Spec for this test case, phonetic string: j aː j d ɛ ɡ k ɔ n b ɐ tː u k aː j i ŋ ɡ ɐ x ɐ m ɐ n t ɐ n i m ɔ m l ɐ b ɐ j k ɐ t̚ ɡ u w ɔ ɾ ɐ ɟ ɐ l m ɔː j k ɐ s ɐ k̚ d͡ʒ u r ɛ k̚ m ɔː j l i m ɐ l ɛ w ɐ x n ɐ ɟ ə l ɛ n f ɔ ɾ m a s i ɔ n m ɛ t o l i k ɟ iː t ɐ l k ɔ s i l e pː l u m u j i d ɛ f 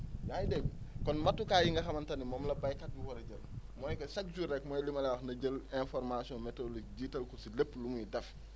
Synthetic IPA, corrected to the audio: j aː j d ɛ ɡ k ɔ n m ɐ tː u k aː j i ŋ ɡ ɐ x ɐ m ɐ n t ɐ n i m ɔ m l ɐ b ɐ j k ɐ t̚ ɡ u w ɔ ɾ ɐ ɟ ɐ l m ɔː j k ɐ s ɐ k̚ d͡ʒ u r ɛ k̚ m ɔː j l i m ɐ l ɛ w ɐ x n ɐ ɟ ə l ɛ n f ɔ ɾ m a s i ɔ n m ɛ t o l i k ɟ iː t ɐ l k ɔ s i l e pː l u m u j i d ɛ f